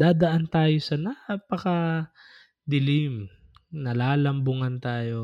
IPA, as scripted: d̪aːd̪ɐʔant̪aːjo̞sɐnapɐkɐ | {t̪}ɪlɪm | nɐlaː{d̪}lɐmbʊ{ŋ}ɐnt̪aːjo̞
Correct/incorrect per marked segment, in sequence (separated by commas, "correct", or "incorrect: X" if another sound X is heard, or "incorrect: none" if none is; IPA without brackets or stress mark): incorrect: d̪, incorrect: none, correct